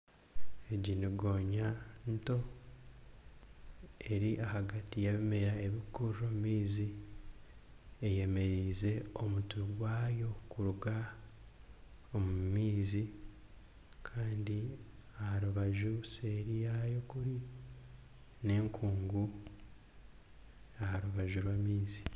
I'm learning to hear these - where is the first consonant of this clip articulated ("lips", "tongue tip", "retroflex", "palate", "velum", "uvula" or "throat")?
palate